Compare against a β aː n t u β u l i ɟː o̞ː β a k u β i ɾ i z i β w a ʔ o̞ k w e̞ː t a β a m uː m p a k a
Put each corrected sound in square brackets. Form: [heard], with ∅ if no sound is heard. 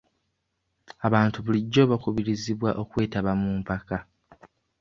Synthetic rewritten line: a β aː n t u β u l i ɟː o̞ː β a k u β i ɾ i z i β w a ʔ o̞ k w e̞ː t a β a m uː m p a k a